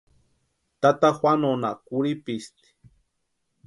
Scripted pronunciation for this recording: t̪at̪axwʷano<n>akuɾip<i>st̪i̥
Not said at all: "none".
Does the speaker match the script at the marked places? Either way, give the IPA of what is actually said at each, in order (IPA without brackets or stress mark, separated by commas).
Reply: n, i